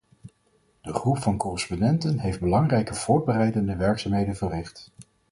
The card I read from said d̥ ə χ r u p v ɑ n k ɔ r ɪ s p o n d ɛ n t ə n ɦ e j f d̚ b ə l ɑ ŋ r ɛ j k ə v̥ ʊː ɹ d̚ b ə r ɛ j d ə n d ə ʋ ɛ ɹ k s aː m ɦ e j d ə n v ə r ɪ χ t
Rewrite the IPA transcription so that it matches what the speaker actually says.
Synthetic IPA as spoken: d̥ ə χ r u p f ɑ n k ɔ r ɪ s p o n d ɛ n t ə n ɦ e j f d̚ b ə l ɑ ŋ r ɛ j k ə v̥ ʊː ɹ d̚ b ə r ɛ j d ə n d ə ʋ ɛ ɹ k s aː m ɦ e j d ə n v ə r ɪ χ t